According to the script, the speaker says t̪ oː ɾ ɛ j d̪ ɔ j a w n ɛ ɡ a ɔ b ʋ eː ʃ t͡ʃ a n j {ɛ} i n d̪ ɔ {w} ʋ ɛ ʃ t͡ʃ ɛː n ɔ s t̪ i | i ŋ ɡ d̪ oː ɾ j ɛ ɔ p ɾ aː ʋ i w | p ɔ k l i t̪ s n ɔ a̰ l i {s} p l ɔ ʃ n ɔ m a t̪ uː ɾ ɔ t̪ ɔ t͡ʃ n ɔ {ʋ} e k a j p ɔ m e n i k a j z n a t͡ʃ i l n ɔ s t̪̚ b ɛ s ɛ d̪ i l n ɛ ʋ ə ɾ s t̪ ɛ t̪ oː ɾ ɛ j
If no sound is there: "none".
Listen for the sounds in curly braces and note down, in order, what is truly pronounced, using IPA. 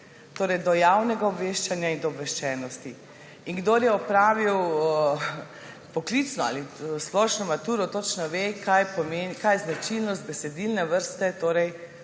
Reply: a, b, s, ʋ

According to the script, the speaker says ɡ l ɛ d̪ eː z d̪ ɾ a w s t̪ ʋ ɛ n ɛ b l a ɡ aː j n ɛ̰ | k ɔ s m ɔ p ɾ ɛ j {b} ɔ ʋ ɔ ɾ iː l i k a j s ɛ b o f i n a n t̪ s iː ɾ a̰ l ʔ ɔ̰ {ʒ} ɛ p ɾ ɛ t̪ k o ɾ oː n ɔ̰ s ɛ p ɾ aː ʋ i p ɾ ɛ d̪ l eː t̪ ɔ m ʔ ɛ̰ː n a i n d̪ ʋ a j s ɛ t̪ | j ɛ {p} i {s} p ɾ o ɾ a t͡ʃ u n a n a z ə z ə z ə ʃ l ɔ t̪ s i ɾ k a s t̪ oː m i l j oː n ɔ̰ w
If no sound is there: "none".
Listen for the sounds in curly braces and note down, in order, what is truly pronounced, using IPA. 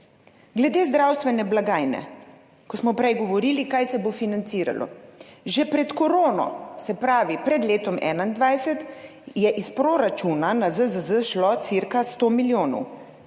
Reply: ɡ, ʒ, ʔ, s

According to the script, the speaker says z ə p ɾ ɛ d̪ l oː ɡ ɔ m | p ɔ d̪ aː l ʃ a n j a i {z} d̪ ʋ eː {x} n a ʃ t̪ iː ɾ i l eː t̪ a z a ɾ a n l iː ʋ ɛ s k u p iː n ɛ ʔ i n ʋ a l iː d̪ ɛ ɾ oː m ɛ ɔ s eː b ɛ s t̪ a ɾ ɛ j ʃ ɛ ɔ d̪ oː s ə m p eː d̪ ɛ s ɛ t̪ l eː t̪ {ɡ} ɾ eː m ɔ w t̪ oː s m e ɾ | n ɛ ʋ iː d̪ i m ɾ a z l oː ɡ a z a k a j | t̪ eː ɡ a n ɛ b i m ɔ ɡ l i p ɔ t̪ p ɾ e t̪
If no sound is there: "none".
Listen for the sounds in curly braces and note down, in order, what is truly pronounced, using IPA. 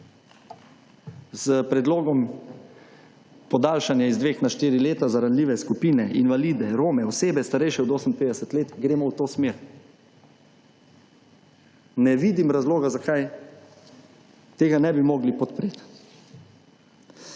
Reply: z, x, ɡ

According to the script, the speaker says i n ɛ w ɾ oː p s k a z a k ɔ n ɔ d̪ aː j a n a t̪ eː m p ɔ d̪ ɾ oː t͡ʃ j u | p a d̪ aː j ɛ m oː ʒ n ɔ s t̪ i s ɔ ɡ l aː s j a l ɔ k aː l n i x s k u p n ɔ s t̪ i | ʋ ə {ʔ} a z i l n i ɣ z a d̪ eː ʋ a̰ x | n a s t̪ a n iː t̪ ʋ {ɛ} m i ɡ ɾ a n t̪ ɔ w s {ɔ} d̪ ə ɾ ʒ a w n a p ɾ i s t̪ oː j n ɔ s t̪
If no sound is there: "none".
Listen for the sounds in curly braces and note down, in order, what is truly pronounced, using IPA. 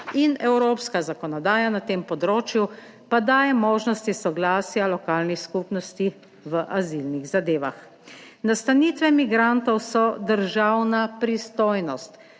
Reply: ʔ, ɛ, ɔ

